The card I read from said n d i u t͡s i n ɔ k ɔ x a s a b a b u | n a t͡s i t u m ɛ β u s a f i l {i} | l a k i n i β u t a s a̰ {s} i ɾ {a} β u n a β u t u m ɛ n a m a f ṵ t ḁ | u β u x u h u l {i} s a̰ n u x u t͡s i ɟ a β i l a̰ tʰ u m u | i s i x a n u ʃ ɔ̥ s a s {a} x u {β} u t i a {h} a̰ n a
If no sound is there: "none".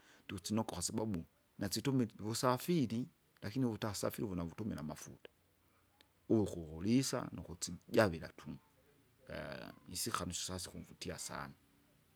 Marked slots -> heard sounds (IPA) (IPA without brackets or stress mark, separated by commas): i, f, i, i, i, v, s